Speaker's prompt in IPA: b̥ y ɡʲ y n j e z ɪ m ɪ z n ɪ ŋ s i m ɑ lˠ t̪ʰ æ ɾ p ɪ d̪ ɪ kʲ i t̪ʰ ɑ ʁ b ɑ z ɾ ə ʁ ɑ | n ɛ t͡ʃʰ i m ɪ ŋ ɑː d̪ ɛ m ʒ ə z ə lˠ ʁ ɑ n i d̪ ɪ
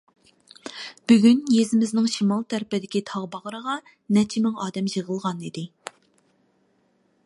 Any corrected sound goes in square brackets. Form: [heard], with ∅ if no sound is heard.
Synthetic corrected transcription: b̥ y ɡʲ y n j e z ɪ m ɪ z n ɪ ŋ [ʃ] i m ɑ lˠ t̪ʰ æ ɾ p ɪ d̪ ɪ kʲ i t̪ʰ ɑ ʁ b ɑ [ʁ] ɾ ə ʁ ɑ | n ɛ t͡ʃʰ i m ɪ ŋ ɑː d̪ ɛ m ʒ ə [ʁ] ə lˠ ʁ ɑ n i d̪ ɪ